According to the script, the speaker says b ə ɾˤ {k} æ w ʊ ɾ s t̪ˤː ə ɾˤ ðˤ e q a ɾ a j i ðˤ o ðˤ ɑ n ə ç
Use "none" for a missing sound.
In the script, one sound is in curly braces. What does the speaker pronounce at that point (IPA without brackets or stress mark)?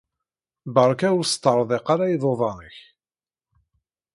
k